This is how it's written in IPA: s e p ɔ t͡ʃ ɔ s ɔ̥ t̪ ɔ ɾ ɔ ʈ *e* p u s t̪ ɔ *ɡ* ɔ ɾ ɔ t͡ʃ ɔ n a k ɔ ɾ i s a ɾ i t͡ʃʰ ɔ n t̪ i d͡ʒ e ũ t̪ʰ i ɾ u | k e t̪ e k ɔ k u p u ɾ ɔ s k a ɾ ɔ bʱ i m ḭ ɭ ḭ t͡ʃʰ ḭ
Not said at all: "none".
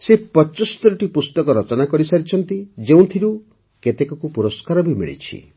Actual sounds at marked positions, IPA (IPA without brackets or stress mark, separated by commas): i, k